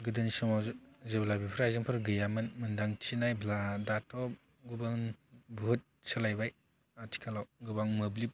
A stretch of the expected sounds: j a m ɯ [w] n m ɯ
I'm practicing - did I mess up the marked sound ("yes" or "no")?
yes